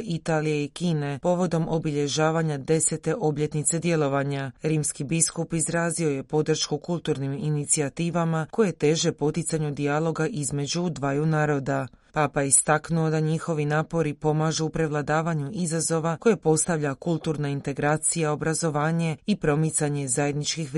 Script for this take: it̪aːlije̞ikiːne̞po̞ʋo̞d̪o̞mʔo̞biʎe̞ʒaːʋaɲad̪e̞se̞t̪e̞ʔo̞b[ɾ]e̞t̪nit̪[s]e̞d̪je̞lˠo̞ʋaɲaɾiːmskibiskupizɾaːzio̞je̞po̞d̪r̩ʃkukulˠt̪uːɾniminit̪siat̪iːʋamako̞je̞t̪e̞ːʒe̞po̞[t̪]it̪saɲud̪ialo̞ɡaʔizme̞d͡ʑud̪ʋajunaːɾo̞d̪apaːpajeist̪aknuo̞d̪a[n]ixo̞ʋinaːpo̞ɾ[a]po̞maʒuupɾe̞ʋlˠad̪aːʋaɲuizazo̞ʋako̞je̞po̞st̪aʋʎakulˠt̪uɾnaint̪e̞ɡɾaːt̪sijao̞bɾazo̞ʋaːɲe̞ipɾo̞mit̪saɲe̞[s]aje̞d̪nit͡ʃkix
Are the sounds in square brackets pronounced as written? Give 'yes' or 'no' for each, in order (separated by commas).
no, yes, yes, no, no, no